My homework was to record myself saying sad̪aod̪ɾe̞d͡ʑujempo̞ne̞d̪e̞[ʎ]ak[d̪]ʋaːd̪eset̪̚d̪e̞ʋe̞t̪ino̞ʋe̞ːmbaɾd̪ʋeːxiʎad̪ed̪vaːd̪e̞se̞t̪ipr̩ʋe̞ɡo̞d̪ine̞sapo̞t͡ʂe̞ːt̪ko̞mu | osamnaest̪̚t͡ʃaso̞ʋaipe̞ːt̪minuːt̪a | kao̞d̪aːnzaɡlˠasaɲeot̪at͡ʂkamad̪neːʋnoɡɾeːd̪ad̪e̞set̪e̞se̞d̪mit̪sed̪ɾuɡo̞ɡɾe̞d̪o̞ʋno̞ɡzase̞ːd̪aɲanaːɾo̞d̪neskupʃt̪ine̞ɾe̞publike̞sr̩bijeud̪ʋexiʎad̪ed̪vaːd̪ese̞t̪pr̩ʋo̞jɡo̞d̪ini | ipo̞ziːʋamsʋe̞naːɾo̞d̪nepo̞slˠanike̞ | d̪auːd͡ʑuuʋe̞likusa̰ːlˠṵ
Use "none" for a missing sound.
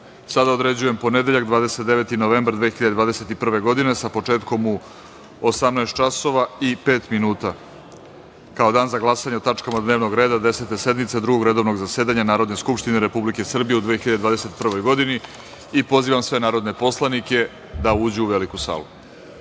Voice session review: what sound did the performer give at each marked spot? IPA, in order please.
ʎ, d̪

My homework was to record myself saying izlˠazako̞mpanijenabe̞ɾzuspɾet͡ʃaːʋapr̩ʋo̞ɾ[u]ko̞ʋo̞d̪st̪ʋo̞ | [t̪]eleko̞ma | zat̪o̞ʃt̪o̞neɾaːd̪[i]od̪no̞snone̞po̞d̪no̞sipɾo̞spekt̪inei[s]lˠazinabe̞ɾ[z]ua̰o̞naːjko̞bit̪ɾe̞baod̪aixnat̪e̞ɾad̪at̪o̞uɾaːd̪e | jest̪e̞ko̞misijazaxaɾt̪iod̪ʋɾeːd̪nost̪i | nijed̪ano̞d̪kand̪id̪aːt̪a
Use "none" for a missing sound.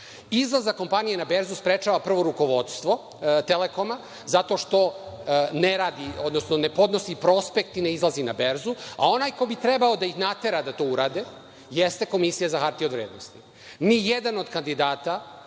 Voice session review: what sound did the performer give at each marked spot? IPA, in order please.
u, t̪, i, z, z

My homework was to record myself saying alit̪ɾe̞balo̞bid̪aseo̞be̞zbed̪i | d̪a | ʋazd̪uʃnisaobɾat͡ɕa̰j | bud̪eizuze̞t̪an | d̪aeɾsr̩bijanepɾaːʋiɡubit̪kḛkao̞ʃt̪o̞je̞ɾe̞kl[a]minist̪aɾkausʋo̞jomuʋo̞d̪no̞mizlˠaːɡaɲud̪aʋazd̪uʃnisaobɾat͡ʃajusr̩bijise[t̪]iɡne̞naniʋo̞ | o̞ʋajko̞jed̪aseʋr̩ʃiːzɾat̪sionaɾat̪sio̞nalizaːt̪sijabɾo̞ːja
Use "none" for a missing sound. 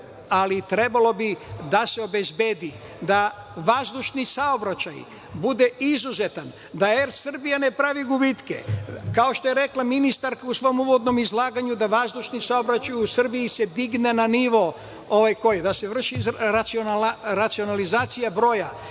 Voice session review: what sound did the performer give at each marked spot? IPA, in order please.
a, d̪

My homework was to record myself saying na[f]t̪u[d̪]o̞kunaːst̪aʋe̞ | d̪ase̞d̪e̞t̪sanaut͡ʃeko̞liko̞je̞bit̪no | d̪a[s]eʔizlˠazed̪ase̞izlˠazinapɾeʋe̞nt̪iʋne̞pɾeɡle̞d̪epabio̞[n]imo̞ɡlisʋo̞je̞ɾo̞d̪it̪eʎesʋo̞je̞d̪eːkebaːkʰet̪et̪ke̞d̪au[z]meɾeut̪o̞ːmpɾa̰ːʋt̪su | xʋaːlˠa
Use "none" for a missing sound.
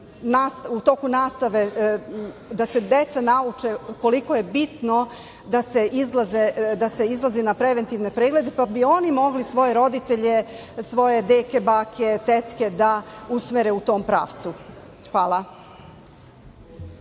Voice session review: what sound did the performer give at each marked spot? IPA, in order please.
s, t̪, s, n, s

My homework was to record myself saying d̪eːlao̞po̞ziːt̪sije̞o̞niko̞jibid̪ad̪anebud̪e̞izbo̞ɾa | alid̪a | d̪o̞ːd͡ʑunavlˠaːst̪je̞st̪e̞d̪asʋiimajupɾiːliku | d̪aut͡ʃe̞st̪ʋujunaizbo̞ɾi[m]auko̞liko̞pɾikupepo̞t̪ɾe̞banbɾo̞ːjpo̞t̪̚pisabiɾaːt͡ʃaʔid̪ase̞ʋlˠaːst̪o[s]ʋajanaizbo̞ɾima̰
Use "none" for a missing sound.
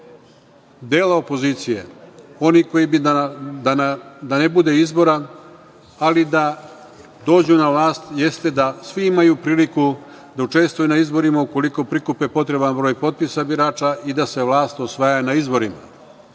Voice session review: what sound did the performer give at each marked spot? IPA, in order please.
m, s

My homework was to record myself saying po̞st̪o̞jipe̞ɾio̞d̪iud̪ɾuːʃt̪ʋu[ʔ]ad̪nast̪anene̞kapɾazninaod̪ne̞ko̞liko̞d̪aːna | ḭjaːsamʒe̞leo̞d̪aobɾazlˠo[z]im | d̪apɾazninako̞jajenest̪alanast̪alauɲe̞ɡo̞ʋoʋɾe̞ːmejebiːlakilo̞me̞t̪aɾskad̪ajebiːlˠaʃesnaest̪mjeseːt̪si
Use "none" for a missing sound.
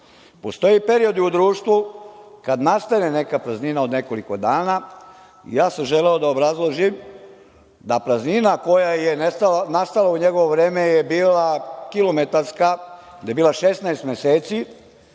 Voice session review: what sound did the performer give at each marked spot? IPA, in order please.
k, ʒ

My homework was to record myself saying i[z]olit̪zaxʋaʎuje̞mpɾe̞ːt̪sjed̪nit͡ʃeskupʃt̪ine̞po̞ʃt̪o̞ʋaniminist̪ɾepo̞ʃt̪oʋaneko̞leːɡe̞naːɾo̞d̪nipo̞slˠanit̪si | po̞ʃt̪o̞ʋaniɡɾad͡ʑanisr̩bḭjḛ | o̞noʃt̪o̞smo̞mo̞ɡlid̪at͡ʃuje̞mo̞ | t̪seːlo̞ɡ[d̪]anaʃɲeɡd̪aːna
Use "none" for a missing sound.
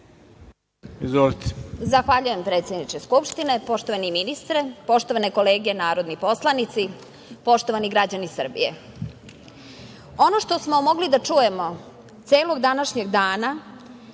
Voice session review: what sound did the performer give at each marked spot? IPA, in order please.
z, d̪

